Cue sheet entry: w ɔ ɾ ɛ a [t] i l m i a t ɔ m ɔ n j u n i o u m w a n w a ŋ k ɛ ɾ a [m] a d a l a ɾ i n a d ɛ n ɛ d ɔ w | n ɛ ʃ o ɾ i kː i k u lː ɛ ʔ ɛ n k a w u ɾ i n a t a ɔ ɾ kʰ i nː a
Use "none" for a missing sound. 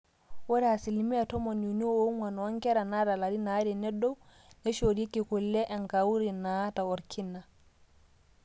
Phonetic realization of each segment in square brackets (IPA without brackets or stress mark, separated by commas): s, n